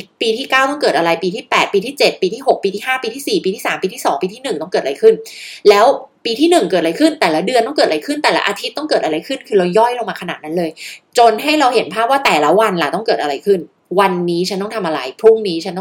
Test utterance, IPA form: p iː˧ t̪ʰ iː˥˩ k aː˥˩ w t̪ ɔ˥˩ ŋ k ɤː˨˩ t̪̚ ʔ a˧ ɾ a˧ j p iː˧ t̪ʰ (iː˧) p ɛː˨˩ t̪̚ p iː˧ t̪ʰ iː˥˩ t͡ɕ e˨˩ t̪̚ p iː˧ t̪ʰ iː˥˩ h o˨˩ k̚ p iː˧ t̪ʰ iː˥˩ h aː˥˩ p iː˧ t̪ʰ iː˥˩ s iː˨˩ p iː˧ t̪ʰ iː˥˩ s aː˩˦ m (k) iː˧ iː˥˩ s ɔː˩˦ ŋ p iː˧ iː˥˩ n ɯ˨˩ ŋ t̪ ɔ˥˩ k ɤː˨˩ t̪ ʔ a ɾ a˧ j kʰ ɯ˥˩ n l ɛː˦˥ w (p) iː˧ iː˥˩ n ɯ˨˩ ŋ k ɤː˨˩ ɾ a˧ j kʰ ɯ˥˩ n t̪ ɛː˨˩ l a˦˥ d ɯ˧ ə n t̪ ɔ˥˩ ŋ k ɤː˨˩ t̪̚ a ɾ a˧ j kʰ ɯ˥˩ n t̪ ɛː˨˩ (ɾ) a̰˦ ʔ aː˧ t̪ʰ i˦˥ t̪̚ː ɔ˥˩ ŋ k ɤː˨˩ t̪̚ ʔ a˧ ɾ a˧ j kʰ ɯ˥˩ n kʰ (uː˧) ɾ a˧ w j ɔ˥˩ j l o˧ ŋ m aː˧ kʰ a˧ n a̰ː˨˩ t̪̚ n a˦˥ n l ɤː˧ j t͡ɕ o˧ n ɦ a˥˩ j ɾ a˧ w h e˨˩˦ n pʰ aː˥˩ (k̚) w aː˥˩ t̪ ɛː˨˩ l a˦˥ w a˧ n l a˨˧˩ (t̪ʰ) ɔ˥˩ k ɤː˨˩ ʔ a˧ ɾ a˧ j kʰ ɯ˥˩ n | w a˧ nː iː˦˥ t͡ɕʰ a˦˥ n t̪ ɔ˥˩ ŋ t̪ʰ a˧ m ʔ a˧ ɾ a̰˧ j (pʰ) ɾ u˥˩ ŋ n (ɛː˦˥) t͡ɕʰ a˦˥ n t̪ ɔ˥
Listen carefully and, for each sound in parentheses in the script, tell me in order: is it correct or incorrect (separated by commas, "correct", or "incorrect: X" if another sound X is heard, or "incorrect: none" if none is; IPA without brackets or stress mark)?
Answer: incorrect: iː˥˩, incorrect: p, correct, incorrect: l, incorrect: ɯː˧, incorrect: p̚, incorrect: t̪, correct, incorrect: iː˦˥